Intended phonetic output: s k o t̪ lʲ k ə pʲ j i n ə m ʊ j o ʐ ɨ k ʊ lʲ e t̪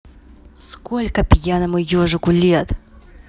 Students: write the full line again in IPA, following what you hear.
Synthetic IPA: s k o lʲ k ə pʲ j a n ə m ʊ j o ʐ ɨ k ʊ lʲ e t̪